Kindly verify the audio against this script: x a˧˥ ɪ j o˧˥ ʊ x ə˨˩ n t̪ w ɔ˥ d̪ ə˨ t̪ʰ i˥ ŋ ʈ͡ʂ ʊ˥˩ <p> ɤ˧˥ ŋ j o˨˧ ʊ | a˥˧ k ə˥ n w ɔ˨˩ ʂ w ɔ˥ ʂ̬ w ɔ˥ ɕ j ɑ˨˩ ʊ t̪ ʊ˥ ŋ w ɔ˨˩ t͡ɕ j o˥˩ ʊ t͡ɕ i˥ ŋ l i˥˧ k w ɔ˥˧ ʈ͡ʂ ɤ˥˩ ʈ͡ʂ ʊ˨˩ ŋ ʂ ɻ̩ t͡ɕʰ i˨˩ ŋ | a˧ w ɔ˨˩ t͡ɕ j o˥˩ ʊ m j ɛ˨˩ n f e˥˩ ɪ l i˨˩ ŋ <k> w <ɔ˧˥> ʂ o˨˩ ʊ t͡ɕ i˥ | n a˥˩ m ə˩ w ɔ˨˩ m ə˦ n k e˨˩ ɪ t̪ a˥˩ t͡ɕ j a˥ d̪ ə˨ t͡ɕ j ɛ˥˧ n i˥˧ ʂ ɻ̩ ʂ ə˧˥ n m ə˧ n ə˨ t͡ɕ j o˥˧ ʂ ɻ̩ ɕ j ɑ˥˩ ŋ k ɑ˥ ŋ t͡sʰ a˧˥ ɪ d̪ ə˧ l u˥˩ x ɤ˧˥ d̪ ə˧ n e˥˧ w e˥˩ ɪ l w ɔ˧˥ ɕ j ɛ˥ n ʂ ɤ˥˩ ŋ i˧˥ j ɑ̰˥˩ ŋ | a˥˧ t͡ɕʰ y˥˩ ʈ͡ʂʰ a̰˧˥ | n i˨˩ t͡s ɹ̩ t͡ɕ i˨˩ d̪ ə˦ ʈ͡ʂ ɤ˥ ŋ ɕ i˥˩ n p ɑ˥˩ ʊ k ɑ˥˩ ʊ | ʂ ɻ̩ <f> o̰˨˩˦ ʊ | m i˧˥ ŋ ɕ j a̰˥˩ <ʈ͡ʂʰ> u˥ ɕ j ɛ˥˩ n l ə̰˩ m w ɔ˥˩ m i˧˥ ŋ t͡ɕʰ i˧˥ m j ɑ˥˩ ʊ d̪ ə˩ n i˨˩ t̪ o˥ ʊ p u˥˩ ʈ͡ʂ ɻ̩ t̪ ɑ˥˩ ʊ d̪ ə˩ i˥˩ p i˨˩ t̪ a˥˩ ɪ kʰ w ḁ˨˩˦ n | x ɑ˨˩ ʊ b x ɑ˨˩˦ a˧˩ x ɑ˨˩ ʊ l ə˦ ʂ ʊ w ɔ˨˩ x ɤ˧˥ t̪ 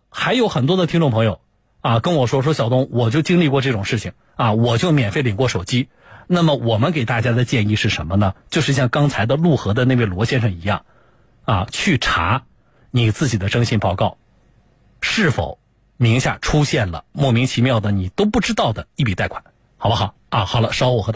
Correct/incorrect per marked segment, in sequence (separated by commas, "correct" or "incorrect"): incorrect, correct, incorrect, correct, correct